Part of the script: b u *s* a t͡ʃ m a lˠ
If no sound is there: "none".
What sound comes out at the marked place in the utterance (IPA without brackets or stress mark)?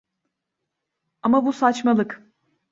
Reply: s